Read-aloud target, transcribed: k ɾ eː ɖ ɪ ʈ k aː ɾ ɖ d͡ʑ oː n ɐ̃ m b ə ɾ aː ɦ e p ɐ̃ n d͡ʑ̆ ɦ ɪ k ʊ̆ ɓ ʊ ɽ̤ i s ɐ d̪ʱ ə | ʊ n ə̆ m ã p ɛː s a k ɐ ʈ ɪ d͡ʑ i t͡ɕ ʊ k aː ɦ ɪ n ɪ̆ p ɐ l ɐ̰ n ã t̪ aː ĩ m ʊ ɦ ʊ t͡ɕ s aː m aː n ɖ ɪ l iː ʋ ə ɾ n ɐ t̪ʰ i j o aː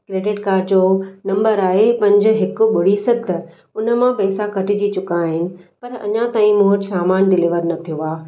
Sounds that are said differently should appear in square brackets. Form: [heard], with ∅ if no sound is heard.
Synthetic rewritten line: k ɾ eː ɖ ɪ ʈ k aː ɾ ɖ d͡ʑ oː n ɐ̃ m b ə ɾ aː ɦ e p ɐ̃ [ɲ] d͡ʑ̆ ɦ ɪ k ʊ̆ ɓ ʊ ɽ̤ i s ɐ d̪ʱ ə | ʊ n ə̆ m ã p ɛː s a k ɐ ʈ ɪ d͡ʑ i t͡ɕ ʊ k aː ɦ ɪ n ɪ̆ p ɐ [ɾ] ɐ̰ [ɲ] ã t̪ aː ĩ m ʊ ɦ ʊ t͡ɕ s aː m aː n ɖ ɪ l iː ʋ ə ɾ n ɐ t̪ʰ i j o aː

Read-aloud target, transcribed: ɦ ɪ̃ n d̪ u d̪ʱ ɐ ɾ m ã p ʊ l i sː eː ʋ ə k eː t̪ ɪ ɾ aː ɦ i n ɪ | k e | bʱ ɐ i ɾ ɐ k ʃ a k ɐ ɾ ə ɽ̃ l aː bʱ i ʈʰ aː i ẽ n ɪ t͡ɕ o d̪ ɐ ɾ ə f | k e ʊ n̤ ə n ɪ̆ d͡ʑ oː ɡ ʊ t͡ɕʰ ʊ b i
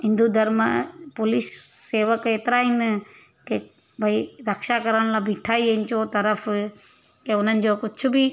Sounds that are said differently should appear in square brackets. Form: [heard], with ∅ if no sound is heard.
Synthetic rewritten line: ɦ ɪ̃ n d̪ u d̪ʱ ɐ ɾ m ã p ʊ l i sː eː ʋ ə k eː t̪ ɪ ɾ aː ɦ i n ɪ | k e | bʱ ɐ i ɾ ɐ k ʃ a k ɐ ɾ ə ɽ̃ l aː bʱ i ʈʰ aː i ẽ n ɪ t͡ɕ o [t̪] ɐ ɾ ə f | k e ʊ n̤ ə n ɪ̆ d͡ʑ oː [k] ʊ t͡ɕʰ ʊ b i

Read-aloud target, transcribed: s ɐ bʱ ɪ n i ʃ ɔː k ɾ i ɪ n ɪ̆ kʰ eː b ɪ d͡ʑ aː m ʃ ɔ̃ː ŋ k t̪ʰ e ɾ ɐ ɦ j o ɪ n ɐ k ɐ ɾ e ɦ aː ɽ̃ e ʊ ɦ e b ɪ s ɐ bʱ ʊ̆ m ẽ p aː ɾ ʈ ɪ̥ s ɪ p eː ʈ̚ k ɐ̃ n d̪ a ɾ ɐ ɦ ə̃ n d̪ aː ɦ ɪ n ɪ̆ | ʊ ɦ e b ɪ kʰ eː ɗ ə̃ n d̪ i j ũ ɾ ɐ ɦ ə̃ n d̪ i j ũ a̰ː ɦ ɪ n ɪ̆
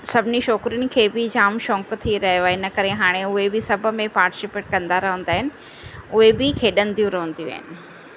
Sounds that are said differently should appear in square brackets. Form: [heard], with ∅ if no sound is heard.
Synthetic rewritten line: s ɐ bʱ ɪ n i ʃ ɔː k ɾ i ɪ n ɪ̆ kʰ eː b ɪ d͡ʑ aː m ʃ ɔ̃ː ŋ k t̪ʰ [i] ɾ ɐ ɦ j o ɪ n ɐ k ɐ ɾ e ɦ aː ɽ̃ e ʊ ɦ e b ɪ s ɐ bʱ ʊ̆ m ẽ p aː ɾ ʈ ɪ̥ s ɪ p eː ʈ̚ k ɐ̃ n d̪ a ɾ ɐ ɦ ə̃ n d̪ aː ɦ ɪ n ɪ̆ | ʊ ɦ e b ɪ kʰ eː ɗ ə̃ n d̪ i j ũ ɾ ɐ ɦ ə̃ n d̪ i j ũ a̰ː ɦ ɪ n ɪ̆

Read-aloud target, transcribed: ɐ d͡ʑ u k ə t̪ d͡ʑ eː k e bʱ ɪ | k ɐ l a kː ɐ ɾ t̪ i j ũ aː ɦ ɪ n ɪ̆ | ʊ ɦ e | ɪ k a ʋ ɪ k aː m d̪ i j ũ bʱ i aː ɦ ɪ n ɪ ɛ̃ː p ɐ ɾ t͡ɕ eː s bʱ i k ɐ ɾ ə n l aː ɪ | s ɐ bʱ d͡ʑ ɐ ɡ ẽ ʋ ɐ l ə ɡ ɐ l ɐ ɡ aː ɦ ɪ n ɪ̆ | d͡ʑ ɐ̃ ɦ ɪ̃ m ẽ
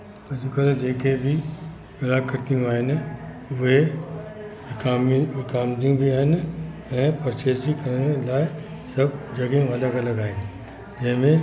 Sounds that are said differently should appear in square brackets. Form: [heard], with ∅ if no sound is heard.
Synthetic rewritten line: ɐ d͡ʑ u k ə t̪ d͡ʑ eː k e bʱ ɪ | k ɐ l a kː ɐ ɾ t̪ i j ũ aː ɦ ɪ n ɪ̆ | ʊ ɦ e | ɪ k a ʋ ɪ k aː m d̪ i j ũ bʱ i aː ɦ ɪ n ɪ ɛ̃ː p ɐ ɾ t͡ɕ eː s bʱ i k ɐ ɾ ə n l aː ɪ | s ɐ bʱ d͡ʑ ɐ ɡ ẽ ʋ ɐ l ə ɡ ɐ l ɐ ɡ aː ɦ ɪ n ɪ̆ | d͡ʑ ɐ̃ ɦ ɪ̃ m ẽ

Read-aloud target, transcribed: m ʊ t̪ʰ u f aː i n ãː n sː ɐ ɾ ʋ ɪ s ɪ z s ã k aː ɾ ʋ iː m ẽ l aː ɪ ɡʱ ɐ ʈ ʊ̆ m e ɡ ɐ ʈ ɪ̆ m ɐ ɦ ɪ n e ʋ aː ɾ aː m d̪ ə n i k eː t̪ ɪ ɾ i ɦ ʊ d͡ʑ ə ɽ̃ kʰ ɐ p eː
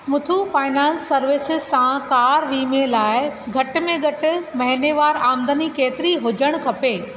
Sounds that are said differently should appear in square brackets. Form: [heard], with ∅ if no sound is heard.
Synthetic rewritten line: m ʊ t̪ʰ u f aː [ɪ] n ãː n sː ɐ ɾ ʋ ɪ s ɪ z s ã k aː ɾ ʋ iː m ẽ l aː ɪ ɡʱ ɐ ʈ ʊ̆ m [ẽ] ɡ ɐ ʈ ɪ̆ m ɐ ɦ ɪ n e ʋ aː ɾ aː m d̪ ə n i k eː t̪ ɪ ɾ i ɦ ʊ d͡ʑ ə ɽ̃ kʰ ɐ p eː

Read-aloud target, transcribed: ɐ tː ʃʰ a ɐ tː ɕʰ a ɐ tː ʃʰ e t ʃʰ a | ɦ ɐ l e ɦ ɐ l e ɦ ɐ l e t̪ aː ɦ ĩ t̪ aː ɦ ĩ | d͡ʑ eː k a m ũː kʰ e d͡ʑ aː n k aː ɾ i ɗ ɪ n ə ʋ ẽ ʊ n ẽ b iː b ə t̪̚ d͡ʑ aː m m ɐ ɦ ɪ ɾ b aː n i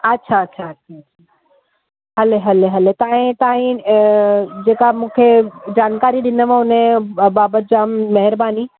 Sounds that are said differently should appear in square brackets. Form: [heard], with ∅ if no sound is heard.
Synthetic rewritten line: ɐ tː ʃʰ a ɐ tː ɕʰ a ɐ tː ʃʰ [a] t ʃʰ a | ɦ ɐ l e ɦ ɐ l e ɦ ɐ l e t̪ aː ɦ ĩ t̪ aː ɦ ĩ | d͡ʑ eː k a m ũː kʰ e d͡ʑ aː n k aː ɾ i ɗ ɪ n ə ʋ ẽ ʊ n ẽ b [aː] b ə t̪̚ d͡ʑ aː m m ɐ ɦ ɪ ɾ b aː n i

